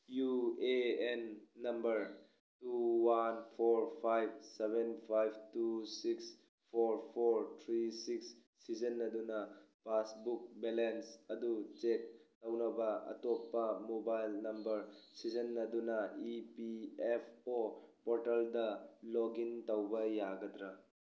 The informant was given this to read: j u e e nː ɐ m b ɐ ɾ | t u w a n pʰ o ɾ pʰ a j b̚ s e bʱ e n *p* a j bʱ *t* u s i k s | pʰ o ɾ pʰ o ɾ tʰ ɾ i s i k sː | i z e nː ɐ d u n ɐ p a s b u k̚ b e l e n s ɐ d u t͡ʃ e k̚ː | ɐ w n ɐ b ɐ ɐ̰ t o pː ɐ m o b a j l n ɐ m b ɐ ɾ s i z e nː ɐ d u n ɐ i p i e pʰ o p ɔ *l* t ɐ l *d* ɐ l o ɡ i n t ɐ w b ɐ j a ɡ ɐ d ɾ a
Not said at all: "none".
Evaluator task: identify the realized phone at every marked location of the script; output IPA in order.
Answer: pʰ, t, ɾ, d

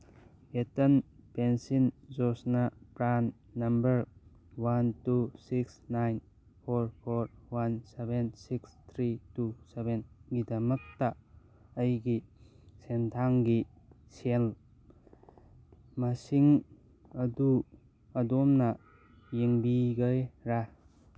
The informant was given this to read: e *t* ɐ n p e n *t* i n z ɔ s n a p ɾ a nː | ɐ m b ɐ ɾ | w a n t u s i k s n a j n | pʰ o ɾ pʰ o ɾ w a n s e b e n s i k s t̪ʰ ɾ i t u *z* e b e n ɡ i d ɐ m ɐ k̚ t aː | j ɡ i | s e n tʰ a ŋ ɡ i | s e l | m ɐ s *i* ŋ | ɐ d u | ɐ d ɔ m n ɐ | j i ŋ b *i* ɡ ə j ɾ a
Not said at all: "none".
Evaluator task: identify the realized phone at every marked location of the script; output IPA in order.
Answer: t, s, s, i, i

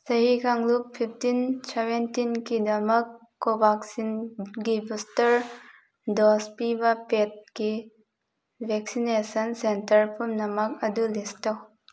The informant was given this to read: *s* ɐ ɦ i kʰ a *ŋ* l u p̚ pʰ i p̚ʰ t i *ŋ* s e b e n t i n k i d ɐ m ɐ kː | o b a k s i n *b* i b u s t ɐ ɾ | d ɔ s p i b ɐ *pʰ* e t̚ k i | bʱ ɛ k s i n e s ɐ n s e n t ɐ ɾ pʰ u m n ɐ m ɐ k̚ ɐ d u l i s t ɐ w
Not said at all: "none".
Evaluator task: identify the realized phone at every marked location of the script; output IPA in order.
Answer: s, ŋ, n, ɡ, p

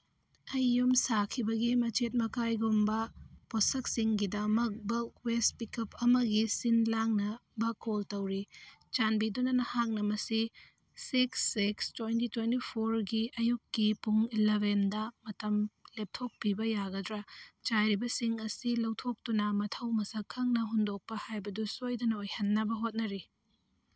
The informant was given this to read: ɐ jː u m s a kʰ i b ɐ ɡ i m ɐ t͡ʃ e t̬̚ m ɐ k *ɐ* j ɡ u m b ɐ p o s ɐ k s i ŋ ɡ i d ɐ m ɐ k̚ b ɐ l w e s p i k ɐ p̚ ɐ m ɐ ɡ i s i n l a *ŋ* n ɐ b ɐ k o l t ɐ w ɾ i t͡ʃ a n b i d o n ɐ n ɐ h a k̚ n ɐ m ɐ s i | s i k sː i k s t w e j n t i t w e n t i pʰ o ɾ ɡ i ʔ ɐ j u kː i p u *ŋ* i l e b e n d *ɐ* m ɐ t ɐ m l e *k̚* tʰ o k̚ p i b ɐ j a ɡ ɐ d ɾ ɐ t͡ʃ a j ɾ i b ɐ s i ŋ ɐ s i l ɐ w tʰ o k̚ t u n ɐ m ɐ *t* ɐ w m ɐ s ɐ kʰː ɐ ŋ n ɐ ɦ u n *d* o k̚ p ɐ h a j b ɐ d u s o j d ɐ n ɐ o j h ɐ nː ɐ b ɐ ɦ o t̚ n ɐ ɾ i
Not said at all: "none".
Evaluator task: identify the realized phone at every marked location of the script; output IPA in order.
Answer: a, ŋ, ŋ, ɐ, p̚, tʰ, d

